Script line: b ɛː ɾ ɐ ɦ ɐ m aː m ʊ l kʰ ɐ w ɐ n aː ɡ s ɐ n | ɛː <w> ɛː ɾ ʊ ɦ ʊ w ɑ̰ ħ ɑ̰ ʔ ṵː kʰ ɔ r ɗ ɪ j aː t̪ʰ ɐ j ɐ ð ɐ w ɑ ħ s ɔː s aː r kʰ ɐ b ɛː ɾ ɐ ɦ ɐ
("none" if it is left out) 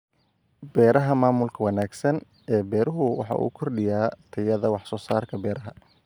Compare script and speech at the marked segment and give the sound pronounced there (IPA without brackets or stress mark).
b